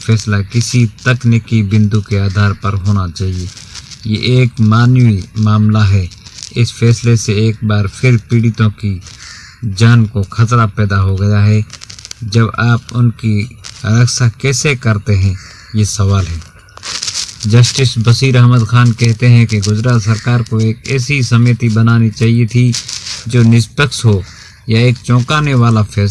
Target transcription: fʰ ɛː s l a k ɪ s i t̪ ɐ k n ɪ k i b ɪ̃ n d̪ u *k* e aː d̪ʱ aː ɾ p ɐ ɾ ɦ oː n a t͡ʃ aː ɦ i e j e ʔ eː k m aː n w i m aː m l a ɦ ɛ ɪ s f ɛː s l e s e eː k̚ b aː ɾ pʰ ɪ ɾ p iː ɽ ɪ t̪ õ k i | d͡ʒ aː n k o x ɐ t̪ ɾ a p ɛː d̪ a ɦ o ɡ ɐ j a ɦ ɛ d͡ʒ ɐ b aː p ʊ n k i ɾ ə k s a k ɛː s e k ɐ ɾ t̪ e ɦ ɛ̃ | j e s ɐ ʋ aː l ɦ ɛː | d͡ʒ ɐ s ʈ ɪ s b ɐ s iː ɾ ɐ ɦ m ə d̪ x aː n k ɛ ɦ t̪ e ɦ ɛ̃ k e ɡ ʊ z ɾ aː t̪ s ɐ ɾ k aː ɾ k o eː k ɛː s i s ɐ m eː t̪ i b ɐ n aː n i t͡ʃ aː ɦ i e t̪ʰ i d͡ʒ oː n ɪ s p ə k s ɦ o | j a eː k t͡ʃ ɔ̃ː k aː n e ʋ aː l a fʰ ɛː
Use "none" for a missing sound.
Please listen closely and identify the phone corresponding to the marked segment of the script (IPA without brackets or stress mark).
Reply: k